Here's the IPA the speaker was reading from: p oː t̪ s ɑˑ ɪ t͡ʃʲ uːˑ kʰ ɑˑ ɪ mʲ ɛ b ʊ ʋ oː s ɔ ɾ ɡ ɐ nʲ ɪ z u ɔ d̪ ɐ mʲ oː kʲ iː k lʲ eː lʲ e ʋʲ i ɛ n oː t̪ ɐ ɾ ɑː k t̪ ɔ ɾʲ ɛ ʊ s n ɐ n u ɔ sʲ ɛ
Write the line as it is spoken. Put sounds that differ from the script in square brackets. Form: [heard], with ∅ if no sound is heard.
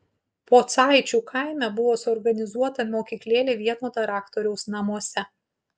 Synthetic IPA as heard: p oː t̪ s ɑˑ ɪ t͡ʃʲ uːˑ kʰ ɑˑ ɪ mʲ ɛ b ʊ ʋ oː s ɔ ɾ ɡ ɐ nʲ ɪ z u ɔ [t̪] ɐ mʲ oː kʲ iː k lʲ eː lʲ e ʋʲ i ɛ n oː t̪ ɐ ɾ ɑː k t̪ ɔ ɾʲ ɛ ʊ s n ɐ [m] u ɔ sʲ ɛ